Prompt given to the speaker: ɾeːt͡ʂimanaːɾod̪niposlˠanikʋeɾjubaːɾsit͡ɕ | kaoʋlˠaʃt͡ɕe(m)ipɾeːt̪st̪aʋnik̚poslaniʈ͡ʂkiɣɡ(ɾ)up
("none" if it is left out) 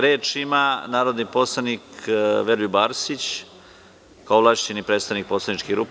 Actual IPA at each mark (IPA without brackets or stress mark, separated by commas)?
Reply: n, ɾ